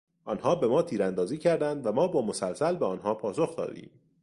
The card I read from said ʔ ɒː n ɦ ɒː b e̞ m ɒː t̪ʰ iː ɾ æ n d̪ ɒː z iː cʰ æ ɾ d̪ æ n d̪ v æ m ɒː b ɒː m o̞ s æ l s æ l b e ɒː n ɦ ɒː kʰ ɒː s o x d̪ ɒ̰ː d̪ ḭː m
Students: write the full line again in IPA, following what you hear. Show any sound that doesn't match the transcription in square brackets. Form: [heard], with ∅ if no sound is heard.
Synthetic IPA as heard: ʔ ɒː n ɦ ɒː b e̞ m ɒː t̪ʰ iː ɾ æ n d̪ ɒː z iː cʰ æ ɾ d̪ æ n d̪ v æ m ɒː b ɒː m o̞ s æ l s æ l b e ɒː n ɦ ɒː [pʰ] ɒː s o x d̪ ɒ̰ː d̪ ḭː m

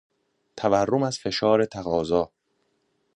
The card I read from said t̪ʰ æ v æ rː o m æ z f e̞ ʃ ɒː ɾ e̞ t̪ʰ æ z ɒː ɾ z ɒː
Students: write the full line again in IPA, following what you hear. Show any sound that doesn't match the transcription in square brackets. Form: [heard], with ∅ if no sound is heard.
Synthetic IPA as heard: t̪ʰ æ v æ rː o m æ z f e̞ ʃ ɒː ɾ e̞ t̪ʰ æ [ɣ] ɒː [∅] z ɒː

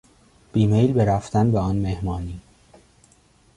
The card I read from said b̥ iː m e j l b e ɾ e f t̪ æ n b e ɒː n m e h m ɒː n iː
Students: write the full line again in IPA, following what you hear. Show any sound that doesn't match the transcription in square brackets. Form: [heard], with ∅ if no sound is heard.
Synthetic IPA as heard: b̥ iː m e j l b e ɾ [æ] f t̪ æ n b e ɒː n m e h m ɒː n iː

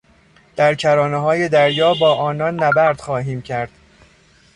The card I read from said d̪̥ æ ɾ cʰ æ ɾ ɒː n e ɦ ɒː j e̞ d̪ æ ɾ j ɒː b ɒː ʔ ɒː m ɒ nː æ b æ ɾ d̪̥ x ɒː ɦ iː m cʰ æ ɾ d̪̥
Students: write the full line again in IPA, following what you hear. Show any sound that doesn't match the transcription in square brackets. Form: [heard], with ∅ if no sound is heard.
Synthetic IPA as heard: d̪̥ æ ɾ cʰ æ ɾ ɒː n e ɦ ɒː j e̞ d̪ æ ɾ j ɒː b ɒː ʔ ɒː [n] ɒ nː æ b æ ɾ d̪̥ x ɒː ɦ iː m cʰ æ ɾ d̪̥

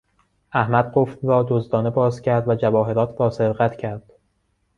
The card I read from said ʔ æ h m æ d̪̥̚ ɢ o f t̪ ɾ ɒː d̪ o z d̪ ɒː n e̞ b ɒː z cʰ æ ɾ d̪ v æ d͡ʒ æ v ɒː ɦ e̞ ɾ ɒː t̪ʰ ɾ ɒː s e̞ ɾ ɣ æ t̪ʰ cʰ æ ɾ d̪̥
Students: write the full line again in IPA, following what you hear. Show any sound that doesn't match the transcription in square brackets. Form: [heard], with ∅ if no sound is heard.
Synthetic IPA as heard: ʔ æ h m æ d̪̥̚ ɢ o f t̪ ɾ ɒː d̪ o z d̪ ɒː n e̞ b ɒː z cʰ æ ɾ d̪ v æ d͡ʒ æ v ɒː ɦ e̞ ɾ ɒː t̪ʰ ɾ ɒː s e̞ ɾ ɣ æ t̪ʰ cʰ æ ɾ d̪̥

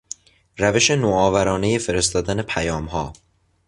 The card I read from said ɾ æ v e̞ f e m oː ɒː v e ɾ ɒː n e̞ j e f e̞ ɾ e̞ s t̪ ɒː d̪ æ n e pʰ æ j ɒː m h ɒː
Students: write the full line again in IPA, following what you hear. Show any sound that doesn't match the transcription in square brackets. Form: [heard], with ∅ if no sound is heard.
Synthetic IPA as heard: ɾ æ v e̞ [ʃ] e [n] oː ɒː v [æ] ɾ ɒː n e̞ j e f e̞ ɾ e̞ s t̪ ɒː d̪ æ n e pʰ æ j ɒː m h ɒː

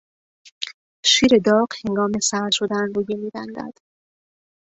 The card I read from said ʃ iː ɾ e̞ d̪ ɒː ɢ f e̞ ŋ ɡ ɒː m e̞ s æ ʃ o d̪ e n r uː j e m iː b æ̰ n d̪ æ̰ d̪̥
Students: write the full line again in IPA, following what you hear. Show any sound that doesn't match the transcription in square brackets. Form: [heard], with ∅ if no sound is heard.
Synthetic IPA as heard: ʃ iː ɾ e̞ d̪ ɒː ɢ [h] e̞ ŋ ɡ ɒː m e̞ s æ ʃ o d̪ [æ] n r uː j e m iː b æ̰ n d̪ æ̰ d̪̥

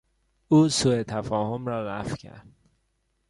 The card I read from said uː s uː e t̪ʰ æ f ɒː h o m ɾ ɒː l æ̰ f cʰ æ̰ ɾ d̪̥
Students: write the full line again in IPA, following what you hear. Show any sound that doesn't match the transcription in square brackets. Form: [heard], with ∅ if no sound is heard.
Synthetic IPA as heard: uː s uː e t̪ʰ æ f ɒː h o m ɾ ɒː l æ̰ f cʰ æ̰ ɾ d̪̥

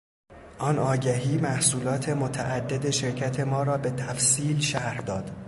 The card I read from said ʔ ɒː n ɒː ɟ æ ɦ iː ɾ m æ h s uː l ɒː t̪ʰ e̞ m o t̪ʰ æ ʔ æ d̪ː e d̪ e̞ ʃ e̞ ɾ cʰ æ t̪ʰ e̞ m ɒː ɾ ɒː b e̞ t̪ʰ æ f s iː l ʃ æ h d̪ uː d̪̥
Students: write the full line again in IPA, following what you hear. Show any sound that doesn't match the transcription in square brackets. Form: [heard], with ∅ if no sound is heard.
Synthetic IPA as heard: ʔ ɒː n ɒː ɟ æ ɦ iː [∅] m æ h s uː l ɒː t̪ʰ e̞ m o t̪ʰ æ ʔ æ d̪ː e d̪ e̞ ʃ e̞ ɾ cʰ æ t̪ʰ e̞ m ɒː ɾ ɒː b e̞ t̪ʰ æ f s iː l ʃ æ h d̪ [ɒː] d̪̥

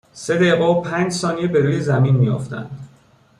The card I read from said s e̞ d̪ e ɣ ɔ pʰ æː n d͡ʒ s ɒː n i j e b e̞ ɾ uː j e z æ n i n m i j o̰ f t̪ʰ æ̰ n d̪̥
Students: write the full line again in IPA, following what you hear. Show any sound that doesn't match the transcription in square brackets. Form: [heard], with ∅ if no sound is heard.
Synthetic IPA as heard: s e̞ d̪ e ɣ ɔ pʰ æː n d͡ʒ s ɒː n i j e b e̞ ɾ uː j e z æ [m] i n m i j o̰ f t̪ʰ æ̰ n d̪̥

